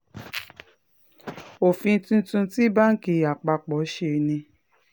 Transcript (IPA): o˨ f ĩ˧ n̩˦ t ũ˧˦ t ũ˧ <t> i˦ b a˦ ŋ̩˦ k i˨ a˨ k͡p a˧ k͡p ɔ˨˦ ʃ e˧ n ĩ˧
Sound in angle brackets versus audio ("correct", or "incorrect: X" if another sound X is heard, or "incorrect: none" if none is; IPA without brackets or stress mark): correct